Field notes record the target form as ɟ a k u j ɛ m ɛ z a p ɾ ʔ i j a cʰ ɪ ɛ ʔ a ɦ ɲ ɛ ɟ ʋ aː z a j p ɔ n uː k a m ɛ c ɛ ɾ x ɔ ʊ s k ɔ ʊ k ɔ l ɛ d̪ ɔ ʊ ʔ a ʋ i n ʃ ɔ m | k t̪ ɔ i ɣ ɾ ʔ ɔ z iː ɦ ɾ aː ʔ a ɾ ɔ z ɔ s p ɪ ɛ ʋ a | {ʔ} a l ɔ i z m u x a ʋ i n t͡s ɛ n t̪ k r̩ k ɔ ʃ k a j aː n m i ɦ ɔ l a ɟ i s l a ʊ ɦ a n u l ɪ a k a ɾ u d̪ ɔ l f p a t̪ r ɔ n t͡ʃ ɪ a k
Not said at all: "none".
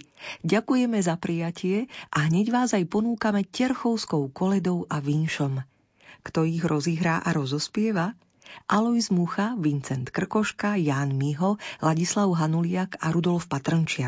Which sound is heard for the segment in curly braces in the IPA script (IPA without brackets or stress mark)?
ʔ